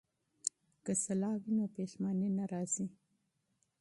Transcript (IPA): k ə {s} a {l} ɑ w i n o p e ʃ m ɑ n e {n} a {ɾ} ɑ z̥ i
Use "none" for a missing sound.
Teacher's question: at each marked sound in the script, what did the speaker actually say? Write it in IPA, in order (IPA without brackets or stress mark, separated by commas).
s, l, n, ɾ